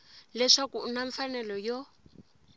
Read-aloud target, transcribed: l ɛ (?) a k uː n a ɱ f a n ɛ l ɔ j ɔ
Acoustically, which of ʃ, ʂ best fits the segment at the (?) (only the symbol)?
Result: ʂ